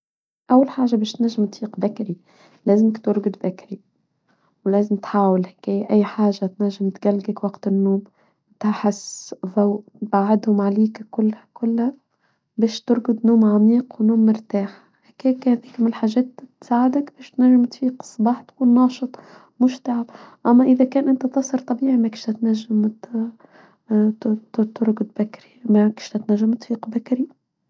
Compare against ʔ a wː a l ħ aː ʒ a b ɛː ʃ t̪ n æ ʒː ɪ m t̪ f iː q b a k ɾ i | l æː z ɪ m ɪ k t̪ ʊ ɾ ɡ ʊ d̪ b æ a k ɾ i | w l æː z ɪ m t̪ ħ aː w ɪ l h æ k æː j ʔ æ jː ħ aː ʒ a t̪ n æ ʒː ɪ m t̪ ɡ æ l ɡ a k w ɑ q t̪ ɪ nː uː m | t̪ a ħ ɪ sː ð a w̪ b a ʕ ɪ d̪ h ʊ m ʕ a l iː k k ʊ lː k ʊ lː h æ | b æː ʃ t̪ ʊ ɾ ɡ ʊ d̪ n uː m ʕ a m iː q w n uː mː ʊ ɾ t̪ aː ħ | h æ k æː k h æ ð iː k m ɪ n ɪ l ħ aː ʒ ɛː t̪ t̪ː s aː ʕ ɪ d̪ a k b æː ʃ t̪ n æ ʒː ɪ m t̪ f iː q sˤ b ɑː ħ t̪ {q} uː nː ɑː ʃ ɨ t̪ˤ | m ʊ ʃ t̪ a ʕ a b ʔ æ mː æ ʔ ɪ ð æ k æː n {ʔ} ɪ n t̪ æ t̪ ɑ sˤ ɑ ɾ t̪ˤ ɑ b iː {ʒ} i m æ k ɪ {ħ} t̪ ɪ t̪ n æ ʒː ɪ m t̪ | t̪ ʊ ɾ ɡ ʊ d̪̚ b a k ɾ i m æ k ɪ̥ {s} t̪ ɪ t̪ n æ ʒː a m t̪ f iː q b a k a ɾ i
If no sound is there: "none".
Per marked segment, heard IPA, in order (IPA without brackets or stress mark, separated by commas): k, ʔ, ʕ, ʃ, ʃ